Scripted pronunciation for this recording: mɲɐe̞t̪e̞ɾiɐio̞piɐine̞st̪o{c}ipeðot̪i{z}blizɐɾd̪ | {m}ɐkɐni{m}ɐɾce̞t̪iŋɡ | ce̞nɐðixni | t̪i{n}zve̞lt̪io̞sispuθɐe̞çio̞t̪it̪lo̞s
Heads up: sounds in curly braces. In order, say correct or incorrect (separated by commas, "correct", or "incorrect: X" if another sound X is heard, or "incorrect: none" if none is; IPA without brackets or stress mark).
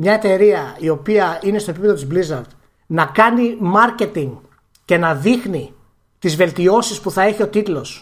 incorrect: p, correct, incorrect: n, correct, incorrect: none